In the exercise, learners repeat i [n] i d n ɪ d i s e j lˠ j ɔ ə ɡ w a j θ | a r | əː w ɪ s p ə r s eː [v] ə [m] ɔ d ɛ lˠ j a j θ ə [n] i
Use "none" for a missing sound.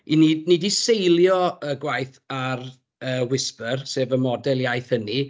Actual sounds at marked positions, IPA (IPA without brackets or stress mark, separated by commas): n, v, m, n